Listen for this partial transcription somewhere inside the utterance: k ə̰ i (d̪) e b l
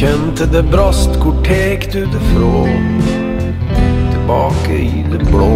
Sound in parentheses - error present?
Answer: no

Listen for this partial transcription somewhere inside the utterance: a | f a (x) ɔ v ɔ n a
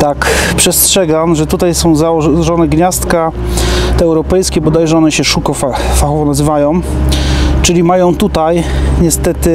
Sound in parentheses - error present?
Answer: no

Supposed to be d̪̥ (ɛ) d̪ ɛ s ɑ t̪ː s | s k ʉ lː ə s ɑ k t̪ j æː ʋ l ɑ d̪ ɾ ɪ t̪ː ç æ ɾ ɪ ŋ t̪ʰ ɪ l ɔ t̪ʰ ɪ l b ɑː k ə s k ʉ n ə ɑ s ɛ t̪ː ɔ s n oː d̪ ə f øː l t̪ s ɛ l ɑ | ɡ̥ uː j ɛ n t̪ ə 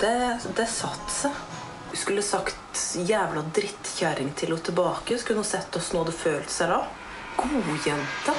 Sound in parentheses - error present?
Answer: no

